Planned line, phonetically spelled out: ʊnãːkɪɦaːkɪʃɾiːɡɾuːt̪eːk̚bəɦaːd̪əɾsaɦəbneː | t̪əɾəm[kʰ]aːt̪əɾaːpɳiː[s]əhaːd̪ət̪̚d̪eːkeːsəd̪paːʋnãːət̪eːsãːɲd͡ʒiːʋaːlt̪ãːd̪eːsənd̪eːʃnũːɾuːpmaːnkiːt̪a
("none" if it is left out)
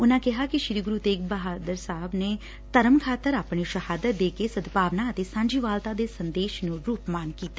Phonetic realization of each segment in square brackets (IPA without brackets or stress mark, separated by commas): kʰ, ʃ